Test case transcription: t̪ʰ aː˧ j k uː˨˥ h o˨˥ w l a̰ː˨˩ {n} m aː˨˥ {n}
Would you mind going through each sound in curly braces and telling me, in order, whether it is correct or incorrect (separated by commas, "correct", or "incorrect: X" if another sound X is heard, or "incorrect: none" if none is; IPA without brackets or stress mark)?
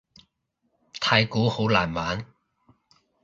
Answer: correct, correct